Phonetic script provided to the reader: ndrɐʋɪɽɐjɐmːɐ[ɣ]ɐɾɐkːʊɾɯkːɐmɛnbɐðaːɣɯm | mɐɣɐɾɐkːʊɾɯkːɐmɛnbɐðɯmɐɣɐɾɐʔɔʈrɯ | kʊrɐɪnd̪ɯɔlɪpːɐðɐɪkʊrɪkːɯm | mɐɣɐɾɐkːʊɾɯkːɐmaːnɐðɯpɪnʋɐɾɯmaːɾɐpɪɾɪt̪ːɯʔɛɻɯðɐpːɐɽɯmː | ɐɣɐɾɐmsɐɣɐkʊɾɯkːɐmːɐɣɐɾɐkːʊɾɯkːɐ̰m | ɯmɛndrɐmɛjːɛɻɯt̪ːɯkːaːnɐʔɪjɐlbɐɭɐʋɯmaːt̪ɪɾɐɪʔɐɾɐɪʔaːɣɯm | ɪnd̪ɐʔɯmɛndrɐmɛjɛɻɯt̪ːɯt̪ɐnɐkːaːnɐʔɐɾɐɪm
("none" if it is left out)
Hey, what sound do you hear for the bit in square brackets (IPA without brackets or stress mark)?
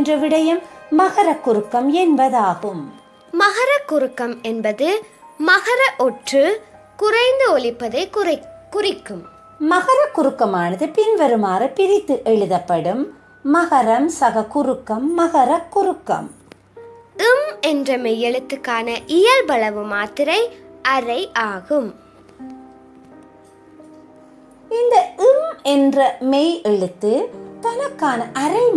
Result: ɣ